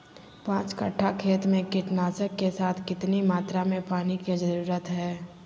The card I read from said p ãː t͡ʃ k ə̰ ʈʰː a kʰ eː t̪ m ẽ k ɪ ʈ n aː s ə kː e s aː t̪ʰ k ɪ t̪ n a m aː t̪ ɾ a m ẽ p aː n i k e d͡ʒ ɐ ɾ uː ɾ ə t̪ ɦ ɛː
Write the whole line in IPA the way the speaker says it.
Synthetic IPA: p ãː t͡ʃ k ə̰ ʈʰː a kʰ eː t̪ m ẽ k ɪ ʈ n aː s ə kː e s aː t̪ʰ k ɪ t̪ n i m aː t̪ ɾ a m ẽ p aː n i k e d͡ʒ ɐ ɾ uː ɾ ə t̪ ɦ ɛː